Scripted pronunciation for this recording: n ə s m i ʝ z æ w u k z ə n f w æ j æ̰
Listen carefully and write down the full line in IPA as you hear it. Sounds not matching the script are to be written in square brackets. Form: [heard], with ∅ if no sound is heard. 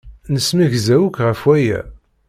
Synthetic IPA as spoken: n ə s m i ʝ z æ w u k [ʁ] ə [∅] f w æ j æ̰